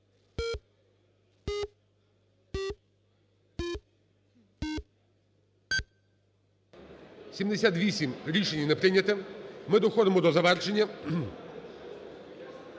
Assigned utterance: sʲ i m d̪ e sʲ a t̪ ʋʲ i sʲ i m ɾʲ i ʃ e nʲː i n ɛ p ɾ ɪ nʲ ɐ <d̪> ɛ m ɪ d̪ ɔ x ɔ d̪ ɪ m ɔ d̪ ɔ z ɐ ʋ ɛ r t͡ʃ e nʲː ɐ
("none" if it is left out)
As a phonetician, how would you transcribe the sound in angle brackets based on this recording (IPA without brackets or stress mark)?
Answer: t̪